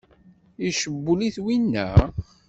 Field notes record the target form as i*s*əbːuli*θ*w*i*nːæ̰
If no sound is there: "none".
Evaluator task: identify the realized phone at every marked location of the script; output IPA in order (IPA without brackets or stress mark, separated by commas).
ʃ, θ, i